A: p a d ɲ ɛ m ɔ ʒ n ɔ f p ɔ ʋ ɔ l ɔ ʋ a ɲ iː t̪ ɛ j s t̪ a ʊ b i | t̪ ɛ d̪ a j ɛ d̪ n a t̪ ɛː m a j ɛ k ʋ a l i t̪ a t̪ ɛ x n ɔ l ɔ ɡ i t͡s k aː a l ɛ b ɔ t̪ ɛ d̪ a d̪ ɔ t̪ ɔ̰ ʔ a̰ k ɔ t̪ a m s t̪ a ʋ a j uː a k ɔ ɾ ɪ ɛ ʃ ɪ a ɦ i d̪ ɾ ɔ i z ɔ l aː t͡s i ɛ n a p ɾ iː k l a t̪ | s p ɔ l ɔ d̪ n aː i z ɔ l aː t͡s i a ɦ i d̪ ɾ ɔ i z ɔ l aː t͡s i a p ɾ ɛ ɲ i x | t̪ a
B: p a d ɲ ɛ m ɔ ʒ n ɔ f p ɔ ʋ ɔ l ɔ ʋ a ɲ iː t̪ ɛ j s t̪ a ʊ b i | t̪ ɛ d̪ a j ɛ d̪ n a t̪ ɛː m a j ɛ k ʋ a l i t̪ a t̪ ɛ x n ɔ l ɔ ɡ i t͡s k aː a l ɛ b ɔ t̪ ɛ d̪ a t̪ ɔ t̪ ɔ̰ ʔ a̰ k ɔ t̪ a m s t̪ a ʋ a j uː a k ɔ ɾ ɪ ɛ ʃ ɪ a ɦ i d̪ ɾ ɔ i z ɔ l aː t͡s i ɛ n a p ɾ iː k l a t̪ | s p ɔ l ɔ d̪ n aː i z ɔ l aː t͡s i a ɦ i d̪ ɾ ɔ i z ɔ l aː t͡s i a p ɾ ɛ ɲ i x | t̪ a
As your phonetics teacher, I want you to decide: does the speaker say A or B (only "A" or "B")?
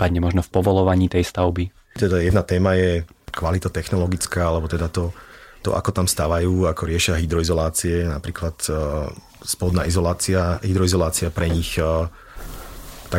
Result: B